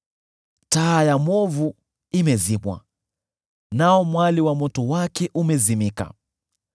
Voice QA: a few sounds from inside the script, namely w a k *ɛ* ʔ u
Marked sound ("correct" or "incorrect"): correct